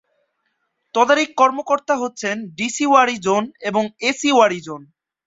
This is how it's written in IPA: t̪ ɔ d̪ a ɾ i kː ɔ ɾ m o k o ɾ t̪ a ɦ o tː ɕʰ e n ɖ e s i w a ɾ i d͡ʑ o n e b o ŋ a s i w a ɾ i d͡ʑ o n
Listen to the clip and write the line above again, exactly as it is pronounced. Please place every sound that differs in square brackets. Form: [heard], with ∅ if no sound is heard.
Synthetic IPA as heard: t̪ ɔ d̪ a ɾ i kː ɔ ɾ m o k o ɾ t̪ a ɦ o tː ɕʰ e n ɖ [i] s i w a ɾ i d͡ʑ o n e b o ŋ [e] s i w a ɾ i d͡ʑ o n